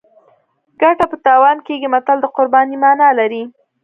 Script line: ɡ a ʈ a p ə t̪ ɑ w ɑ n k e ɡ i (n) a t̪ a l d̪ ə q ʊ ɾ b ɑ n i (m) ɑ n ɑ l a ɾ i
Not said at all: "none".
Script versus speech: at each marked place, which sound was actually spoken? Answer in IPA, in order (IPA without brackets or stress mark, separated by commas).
m, m